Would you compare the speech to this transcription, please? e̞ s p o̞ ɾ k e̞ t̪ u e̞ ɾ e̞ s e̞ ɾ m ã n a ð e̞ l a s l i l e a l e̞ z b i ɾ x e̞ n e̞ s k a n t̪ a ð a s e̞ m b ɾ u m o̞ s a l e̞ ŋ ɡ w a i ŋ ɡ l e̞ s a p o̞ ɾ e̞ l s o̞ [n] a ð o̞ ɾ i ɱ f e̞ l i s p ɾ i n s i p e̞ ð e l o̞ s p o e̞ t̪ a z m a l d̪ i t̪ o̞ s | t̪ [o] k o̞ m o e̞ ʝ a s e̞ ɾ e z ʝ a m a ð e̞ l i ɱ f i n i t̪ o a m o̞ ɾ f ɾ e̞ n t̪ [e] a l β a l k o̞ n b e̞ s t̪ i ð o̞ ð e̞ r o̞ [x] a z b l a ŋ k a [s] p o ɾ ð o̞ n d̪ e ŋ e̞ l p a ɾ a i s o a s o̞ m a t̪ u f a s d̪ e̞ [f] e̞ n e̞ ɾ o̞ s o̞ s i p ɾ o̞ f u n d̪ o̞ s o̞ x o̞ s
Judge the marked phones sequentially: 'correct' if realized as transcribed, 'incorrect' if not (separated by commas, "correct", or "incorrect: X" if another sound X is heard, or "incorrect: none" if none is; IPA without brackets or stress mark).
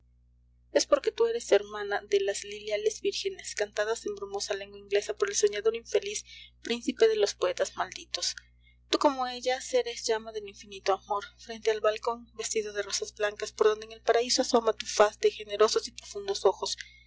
incorrect: ɲ, incorrect: u, correct, incorrect: s, correct, incorrect: x